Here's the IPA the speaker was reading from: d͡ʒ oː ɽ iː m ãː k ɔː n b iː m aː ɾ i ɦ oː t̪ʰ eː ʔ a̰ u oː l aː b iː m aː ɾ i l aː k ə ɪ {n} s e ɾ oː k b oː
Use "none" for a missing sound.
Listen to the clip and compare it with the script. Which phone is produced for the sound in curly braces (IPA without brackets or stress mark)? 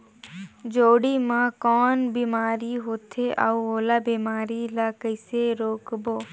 none